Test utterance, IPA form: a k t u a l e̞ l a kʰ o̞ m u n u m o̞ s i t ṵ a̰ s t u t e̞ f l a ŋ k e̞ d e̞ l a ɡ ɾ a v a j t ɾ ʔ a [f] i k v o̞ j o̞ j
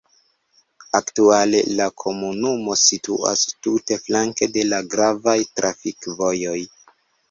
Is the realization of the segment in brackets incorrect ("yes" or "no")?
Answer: no